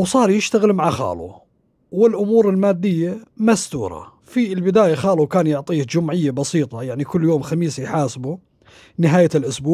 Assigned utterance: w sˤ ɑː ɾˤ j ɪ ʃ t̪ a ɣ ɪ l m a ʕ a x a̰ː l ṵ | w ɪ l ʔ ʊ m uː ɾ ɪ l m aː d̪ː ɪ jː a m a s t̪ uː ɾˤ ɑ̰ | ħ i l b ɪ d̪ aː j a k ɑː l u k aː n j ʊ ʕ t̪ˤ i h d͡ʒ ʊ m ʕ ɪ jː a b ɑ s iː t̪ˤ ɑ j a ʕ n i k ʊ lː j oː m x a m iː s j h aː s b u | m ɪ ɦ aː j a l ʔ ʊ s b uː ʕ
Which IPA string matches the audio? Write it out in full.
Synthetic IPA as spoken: w sˤ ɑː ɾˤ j ɪ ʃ t̪ a ɣ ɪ l m a ʕ a x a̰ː l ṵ | w ɪ l ʔ ʊ m uː ɾ ɪ l m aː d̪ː ɪ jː a m a s t̪ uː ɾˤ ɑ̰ | f i l b ɪ d̪ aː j a x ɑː l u k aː n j ʊ ʕ t̪ˤ iː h d͡ʒ ʊ m ʕ ɪ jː a b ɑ s iː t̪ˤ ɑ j a ʕ n i k ʊ lː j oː m x a m iː s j ħ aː s b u | n ɪ ɦ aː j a l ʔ ʊ s b uː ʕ